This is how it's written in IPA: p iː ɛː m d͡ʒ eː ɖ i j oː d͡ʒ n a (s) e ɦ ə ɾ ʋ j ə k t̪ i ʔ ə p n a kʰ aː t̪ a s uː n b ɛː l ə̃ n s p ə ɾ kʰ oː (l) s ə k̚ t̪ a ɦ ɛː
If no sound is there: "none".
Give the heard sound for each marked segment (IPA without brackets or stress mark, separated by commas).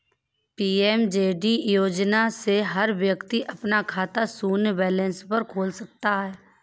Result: s, l